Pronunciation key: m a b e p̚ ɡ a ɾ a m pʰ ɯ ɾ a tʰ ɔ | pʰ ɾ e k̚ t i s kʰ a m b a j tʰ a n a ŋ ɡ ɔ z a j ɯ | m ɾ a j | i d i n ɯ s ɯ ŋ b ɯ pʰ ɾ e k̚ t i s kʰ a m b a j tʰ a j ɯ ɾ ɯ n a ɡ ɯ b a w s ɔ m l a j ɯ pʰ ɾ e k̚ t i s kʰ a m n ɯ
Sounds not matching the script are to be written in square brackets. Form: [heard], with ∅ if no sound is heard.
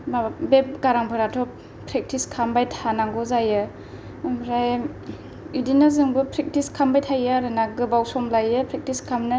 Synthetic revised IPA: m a b e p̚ ɡ a ɾ a [ŋ] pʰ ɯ ɾ a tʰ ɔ | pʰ ɾ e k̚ t i s kʰ a m b a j tʰ a n a ŋ ɡ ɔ z a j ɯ | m ɾ a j | i d i n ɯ [z] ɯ ŋ b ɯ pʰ ɾ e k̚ t i s kʰ a m b a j tʰ a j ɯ ɾ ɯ n a ɡ ɯ b a w s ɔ m l a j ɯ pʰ ɾ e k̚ t i s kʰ a m n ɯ